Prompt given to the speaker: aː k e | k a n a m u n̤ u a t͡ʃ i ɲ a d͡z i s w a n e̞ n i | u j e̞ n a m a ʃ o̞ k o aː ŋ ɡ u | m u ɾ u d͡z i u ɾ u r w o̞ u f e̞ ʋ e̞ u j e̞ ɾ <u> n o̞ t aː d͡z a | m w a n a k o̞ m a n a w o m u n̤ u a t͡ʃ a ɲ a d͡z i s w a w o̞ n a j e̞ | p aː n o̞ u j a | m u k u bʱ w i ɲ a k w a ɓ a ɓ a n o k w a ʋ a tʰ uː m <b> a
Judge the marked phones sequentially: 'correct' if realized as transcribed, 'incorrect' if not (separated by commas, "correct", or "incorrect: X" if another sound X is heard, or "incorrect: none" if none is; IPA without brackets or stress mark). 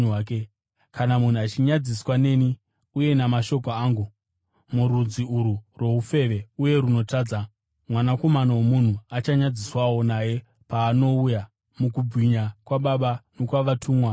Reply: correct, incorrect: w